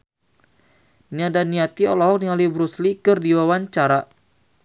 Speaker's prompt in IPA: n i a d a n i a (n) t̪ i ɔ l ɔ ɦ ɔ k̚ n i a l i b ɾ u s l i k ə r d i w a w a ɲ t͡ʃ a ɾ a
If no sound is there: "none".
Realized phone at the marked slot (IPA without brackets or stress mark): none